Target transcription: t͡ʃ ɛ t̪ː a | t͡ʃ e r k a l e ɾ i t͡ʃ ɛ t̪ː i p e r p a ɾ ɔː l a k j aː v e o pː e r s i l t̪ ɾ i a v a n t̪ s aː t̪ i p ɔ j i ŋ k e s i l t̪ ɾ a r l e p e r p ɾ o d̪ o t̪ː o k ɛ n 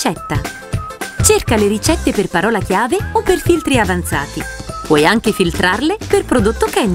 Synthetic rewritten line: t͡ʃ ɛ t̪ː a | t͡ʃ e r k a l e ɾ i t͡ʃ ɛ t̪ː e p e r p a ɾ ɔː l a k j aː v e o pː e r f i l t̪ ɾ i a v a n t̪ s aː t̪ i p ɔ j a ŋ k e f i l t̪ ɾ a r l e p e r p ɾ o d̪ o t̪ː o k ɛ n

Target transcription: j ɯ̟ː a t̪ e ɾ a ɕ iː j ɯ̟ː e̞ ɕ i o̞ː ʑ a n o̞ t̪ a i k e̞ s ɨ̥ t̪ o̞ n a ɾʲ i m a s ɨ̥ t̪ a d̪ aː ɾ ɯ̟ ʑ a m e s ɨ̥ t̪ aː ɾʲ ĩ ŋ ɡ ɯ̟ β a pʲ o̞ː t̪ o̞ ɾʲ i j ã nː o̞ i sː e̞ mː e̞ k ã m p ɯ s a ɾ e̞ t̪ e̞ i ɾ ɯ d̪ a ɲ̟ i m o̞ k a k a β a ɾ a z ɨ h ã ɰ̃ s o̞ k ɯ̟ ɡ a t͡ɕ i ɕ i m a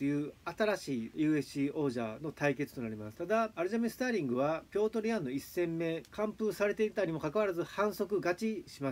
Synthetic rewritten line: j ɯ̟ː a t̪ a ɾ a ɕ iː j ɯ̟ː e̞ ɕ i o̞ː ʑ a n o̞ t̪ a i k e̞ t͡s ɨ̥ t̪ o̞ n a ɾʲ i m a s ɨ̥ t̪ a d̪ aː ɾ ɯ̟ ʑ a m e s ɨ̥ t̪ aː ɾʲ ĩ ŋ ɡ ɯ̟ β a pʲ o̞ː t̪ o̞ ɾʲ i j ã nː o̞ i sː ẽ̞ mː e̞ k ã m p ɯ s a ɾ e̞ t̪ e̞ i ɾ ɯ t̪ a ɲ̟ i m o̞ k a k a β a ɾ a z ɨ h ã ɰ̃ s o̞ k ɯ̟ ɡ a t͡ɕ i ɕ i m a

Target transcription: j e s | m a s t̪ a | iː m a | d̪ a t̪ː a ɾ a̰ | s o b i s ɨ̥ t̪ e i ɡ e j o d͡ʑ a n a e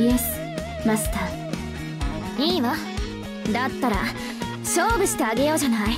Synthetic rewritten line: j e s | m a s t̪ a | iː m a | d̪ a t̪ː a ɾ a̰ | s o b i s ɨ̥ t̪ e a ɡ e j o d͡ʑ a n a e

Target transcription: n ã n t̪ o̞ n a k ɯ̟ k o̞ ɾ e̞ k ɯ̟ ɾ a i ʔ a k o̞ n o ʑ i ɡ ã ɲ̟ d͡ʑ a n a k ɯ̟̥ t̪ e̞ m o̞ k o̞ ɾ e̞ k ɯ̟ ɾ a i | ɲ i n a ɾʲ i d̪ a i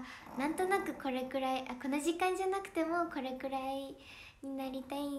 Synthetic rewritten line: n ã n t̪ o̞ n a k ɯ̟ k o̞ ɾ e̞ k ɯ̟ ɾ a i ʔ a k o̞ n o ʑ i k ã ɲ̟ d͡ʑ a n a k ɯ̟̥ t̪ e̞ m o̞ k o̞ ɾ e̞ k ɯ̟ ɾ a i | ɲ i n a ɾʲ i t̪ a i

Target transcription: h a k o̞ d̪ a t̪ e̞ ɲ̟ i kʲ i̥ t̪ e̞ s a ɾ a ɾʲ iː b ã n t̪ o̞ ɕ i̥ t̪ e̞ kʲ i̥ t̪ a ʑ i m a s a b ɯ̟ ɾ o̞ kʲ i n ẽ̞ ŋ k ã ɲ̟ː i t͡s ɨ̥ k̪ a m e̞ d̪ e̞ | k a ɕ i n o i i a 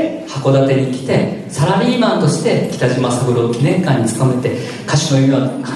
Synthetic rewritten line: h a k o̞ d̪ a t̪ e̞ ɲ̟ i kʲ i̥ t̪ e̞ s a ɾ a ɾʲ iː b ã n t̪ o̞ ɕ i̥ t̪ e̞ kʲ i̥ t̪ a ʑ i m a s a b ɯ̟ ɾ o̞ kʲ i n ẽ̞ ŋ k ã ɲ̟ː i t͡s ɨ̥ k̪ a m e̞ t̪ e̞ | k a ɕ i n o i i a

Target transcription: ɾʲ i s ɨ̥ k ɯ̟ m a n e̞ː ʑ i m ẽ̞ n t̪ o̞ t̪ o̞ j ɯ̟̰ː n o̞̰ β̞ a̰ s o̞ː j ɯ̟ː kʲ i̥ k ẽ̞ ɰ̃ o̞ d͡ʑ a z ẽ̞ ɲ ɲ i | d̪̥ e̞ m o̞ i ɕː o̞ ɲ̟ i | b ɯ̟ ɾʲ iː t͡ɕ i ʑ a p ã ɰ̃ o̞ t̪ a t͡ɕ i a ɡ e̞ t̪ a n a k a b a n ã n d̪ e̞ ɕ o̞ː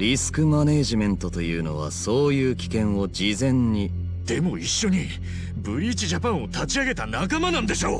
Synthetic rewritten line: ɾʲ i s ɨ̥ k ɯ̟ m a n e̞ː ʑ i m ẽ̞ n t̪ o̞ t̪ o̞ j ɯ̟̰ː n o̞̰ β̞ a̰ s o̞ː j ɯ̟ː kʲ i̥ k ẽ̞ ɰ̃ o̞ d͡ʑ i z ẽ̞ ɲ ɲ i | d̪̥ e̞ m o̞ i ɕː o̞ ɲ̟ i | b ɯ̟ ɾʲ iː t͡ɕ i ʑ a p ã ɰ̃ o̞ t̪ a t͡ɕ i a ɡ e̞ t̪ a n a k a m a n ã n d̪ e̞ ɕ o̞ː

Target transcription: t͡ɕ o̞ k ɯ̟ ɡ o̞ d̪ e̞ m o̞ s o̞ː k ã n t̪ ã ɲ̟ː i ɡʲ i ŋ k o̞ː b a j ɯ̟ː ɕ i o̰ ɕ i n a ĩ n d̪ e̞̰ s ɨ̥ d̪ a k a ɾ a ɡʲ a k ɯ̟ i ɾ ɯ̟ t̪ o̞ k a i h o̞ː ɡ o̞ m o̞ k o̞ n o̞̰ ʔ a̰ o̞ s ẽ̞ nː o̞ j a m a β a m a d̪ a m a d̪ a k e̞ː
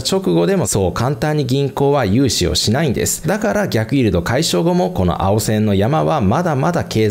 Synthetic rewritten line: t͡ɕ o̞ k ɯ̟ ɡ o̞ d̪ e̞ m o̞ s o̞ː k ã n t̪ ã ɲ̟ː i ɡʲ ĩ ŋ k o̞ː β a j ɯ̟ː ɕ i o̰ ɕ i n a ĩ n d̪ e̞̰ s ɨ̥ d̪ a k a ɾ a ɡʲ a k ɯ̟ i ɾ ɯ̟ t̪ o̞ k a i ɕ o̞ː ɡ o̞ m o̞ k o̞ n o̞̰ ʔ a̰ o̞ s ẽ̞ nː o̞ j a m a β a m a d̪ a m a d̪ a k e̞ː

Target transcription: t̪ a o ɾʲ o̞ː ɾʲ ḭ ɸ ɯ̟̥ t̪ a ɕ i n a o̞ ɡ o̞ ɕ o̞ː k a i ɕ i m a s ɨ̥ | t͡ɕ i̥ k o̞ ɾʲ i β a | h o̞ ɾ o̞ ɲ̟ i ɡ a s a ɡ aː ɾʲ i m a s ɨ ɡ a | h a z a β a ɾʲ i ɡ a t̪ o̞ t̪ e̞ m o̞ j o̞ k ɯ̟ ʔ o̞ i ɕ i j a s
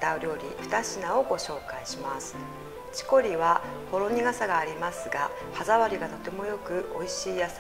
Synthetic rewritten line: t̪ a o ɾʲ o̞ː ɾʲ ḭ ɸ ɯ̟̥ t̪ a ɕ i n a o̞ ɡ o̞ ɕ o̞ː k a i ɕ i m a s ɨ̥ | t͡ɕ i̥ k o̞ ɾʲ i β a | h o̞ ɾ o̞ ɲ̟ i ɡ a s a ɡ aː ɾʲ i m a s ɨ ɡ a | h a z a β a ɾʲ i ɡ a t̪ o̞ t̪ e̞ m o̞ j o̞ k ɯ̟ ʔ o̞ i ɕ iː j a s

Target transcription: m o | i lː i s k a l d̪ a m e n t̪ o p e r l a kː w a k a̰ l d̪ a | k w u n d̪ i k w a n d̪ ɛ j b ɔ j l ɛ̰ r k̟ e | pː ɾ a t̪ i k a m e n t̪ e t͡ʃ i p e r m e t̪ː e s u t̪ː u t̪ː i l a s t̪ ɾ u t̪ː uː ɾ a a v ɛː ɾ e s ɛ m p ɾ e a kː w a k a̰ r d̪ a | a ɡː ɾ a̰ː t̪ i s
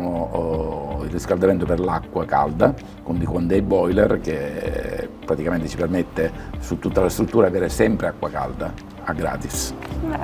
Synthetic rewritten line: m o | i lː i s k a l d̪ a m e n t̪ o p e r l a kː w a k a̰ l d̪ a | k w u n d̪ i k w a n d̪ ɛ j b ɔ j l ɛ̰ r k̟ e | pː ɾ a t̪ i k a m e n t̪ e t͡ʃ i p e r m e t̪ː e s u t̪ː u t̪ː a l a s t̪ ɾ u t̪ː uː ɾ a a v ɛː ɾ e s ɛ m p ɾ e a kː w a k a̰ l d̪ a | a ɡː ɾ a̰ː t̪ i s

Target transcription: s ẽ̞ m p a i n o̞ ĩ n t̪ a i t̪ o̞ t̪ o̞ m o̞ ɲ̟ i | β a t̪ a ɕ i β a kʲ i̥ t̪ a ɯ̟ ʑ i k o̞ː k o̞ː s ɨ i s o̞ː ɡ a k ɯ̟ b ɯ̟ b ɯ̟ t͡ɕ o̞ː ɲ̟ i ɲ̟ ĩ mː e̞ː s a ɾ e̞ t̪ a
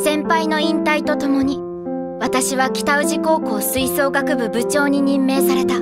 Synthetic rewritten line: s ẽ̞ m p a i n o̞ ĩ n t̪ a i t̪ o̞ t̪ o̞ m o̞ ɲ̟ i | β a t̪ a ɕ i β a kʲ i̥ t̪ a ɯ̟ ʑ i k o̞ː k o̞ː s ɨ i s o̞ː ɡ a k ɯ̟ b ɯ̟ b ɯ̟ t͡ɕ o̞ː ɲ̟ i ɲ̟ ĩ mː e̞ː s a ɾ e̞ t̪ a

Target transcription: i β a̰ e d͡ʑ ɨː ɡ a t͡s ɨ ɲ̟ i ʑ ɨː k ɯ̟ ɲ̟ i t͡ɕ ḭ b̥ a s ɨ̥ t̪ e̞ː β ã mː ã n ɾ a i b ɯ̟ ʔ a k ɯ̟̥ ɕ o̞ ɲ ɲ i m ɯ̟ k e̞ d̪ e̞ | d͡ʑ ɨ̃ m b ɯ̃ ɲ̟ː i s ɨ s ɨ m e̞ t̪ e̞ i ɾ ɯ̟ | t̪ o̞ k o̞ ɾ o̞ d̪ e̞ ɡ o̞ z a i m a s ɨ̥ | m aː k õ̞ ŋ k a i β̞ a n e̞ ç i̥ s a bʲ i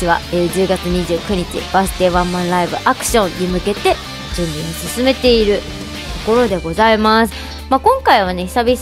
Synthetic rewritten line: i β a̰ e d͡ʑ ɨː ɡ a t͡s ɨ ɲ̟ i ʑ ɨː k ɯ̟ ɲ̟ i t͡ɕ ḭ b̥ a s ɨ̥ t̪ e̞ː β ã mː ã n ɾ a i b ɯ̟ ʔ a k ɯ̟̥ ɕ õ̞ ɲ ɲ i m ɯ̟ k e̞ t̪ e̞ | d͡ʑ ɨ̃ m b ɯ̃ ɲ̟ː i s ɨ s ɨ m e̞ t̪ e̞ i ɾ ɯ̟ | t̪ o̞ k o̞ ɾ o̞ d̪ e̞ ɡ o̞ z a i m a s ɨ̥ | m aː k õ̞ ŋ k a i β̞ a n e̞ ç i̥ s a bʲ i

